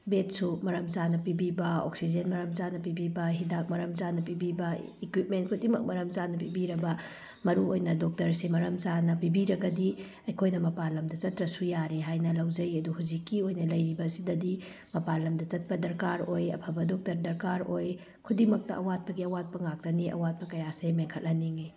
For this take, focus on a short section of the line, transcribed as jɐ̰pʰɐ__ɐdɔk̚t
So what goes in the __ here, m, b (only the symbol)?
b